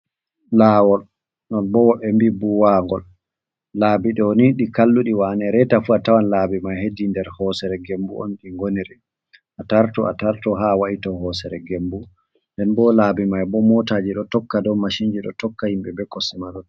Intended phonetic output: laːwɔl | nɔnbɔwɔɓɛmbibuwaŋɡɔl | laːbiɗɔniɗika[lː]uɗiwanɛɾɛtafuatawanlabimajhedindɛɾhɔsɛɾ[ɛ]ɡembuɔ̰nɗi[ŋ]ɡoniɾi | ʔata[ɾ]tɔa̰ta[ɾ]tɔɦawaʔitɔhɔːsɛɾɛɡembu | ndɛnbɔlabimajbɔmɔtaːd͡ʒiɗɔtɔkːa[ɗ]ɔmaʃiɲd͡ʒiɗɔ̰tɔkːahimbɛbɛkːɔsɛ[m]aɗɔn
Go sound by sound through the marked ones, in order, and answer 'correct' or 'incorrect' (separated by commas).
correct, correct, correct, correct, correct, incorrect, correct